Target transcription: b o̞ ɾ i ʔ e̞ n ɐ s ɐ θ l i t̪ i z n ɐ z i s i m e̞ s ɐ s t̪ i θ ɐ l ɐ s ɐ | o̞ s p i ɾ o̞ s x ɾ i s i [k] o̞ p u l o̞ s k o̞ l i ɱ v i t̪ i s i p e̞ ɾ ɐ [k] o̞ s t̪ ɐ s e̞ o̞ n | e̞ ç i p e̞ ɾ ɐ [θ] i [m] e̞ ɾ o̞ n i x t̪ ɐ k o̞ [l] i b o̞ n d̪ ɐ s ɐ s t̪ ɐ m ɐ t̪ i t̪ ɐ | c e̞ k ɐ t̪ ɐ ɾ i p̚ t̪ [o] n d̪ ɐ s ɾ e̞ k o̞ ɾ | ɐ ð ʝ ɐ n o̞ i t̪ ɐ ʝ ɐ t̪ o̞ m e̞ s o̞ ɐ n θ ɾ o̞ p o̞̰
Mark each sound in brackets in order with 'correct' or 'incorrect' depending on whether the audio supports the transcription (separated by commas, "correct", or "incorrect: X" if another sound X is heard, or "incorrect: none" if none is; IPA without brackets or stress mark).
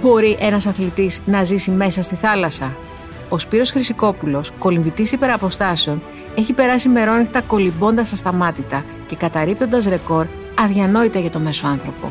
correct, incorrect: p, incorrect: s, correct, correct, correct